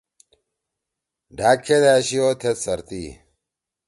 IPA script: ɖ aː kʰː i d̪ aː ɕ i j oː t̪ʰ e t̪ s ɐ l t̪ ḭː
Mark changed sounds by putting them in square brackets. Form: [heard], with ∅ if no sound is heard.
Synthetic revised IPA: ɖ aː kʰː [e] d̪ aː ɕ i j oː t̪ʰ e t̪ s ɐ [ɾ] t̪ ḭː